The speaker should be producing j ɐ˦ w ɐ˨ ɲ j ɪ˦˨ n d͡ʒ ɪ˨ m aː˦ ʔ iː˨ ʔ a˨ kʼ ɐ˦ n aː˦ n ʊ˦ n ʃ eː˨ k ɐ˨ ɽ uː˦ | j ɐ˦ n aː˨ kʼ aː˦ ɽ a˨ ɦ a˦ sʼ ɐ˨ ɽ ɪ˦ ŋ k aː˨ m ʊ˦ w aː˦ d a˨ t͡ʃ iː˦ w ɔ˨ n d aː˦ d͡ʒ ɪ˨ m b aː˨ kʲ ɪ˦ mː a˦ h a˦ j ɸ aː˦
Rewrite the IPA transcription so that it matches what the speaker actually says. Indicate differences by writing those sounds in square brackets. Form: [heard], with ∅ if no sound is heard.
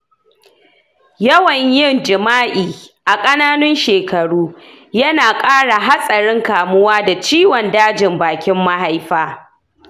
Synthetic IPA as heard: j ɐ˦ w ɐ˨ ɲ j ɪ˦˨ n d͡ʒ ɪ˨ m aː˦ ʔ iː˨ ʔ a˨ kʼ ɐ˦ n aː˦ n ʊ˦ n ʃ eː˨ k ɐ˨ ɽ uː˦ | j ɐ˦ n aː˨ kʼ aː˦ ɽ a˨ ɦ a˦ sʼ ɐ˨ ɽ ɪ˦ ŋ k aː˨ m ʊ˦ w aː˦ d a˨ t͡ʃ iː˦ w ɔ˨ n d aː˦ d͡ʒ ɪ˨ m b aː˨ kʲ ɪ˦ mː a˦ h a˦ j ɸ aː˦